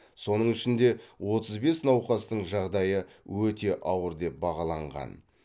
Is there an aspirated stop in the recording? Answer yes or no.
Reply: no